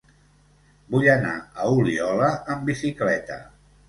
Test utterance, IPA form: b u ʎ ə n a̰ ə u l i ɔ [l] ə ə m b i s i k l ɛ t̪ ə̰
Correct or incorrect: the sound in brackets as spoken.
correct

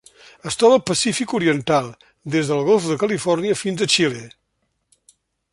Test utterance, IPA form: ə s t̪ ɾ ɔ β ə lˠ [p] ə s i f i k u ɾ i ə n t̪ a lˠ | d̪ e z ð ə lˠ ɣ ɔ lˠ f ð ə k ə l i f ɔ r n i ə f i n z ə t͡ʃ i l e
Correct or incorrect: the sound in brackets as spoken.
correct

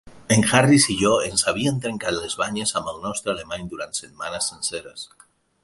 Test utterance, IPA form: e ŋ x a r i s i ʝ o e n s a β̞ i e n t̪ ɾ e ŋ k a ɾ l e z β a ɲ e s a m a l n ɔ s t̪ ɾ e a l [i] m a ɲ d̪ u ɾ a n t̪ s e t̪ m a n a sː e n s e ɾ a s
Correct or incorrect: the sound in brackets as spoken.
incorrect: e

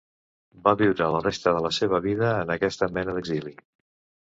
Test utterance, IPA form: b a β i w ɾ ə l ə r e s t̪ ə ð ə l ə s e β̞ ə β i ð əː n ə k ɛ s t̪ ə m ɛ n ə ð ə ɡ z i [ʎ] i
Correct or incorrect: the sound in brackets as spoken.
incorrect: l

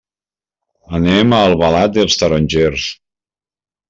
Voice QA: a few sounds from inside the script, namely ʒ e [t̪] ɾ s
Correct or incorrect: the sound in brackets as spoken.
incorrect: none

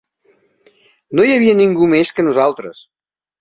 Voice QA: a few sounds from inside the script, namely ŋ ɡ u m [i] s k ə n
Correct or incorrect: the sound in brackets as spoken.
incorrect: e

